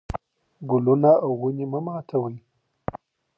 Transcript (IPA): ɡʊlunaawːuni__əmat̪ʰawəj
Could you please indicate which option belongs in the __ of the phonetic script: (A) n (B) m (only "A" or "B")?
B